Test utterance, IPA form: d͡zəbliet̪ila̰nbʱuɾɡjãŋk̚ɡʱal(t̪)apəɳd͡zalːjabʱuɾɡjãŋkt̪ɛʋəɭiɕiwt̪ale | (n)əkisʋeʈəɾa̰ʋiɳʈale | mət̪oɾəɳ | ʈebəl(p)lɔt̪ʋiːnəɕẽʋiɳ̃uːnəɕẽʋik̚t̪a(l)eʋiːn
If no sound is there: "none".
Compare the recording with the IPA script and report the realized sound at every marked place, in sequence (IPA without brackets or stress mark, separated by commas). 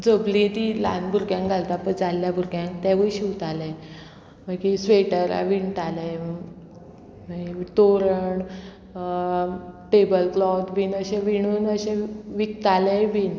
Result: t̪, m, k, l